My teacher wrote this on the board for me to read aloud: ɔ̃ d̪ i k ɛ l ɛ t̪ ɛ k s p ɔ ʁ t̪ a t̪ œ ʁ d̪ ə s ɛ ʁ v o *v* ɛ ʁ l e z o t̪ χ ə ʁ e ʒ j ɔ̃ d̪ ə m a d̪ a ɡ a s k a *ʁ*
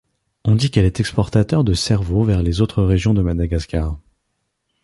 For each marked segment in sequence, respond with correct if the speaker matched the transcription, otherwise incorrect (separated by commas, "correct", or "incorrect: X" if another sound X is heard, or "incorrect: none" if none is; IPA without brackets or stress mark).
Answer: correct, correct